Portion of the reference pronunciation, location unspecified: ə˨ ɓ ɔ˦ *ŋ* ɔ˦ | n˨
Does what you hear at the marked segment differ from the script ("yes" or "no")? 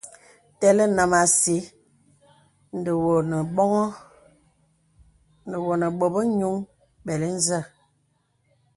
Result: no